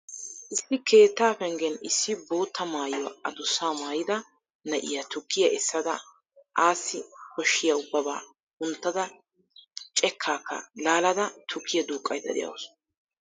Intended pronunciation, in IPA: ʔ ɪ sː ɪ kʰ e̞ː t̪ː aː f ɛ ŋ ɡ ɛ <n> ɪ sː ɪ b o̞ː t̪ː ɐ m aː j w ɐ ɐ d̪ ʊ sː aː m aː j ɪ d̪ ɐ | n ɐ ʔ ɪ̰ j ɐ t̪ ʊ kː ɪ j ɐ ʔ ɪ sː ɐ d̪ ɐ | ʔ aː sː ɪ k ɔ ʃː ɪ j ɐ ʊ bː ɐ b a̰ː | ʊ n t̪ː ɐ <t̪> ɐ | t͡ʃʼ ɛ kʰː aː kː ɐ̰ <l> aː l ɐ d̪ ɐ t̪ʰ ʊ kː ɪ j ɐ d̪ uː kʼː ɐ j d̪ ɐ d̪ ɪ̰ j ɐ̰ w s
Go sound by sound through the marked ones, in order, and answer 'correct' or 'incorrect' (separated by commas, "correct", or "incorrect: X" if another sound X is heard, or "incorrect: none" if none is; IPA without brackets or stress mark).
correct, incorrect: d̪, correct